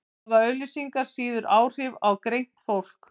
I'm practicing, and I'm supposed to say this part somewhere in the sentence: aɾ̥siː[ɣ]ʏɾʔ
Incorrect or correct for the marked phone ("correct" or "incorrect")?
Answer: incorrect